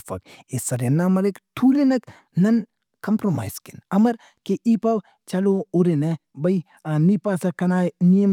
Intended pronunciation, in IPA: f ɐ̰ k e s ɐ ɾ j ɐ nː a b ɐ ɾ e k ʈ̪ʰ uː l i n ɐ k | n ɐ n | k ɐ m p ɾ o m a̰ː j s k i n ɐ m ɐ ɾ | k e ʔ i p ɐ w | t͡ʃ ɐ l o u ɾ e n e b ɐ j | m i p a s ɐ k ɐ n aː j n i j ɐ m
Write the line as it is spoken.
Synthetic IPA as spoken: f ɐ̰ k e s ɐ ɾ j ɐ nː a m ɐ ɾ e k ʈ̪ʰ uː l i n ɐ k | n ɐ n | k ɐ m p ɾ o m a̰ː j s k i n ɐ m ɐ ɾ | k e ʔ i p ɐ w | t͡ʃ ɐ l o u ɾ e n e b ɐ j | n i p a s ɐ k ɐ n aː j n i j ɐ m